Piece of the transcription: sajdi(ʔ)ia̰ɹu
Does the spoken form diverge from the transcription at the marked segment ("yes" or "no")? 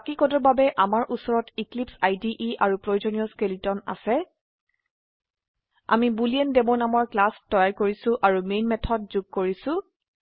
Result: no